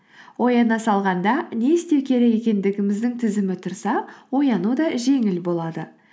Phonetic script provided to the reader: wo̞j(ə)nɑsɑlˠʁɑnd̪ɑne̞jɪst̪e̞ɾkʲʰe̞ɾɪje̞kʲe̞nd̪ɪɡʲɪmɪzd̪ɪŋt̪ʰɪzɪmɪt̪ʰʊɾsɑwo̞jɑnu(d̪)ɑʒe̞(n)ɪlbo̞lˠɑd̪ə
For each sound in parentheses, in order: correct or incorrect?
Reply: incorrect: ɑ, correct, incorrect: ŋ

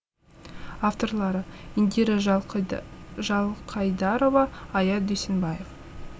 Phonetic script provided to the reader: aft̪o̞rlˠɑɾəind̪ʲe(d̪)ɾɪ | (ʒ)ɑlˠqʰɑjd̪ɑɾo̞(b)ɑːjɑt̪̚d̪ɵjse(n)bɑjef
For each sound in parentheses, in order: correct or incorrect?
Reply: incorrect: none, correct, incorrect: v, correct

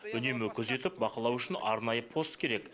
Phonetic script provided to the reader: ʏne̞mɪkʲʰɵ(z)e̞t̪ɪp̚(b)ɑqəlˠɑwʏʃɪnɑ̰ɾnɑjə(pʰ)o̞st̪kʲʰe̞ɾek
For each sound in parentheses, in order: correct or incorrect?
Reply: correct, correct, correct

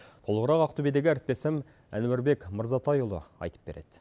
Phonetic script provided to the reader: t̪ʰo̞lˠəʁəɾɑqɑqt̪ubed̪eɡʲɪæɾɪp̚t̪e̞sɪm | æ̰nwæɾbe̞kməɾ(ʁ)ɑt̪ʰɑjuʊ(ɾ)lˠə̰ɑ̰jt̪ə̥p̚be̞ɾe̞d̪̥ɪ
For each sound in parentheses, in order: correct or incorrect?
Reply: incorrect: z, incorrect: none

